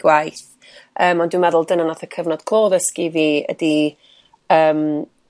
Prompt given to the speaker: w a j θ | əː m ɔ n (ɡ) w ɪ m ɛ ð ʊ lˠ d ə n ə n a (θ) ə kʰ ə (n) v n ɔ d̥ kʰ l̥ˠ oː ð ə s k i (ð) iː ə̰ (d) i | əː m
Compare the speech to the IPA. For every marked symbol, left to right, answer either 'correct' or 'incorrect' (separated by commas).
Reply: incorrect, correct, incorrect, incorrect, correct